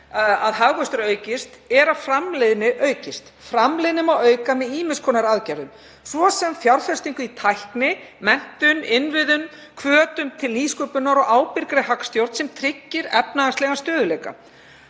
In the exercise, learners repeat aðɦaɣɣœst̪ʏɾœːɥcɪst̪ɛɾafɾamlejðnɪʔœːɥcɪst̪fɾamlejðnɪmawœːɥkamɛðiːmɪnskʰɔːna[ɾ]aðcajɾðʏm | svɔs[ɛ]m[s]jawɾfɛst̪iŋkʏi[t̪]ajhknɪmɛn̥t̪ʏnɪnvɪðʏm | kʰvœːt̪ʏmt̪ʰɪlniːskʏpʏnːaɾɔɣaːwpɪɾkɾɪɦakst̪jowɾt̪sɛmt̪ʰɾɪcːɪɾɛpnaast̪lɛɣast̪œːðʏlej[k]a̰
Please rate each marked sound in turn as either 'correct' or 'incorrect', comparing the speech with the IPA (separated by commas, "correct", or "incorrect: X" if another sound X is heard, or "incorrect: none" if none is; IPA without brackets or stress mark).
correct, correct, incorrect: f, incorrect: t̪ʰ, correct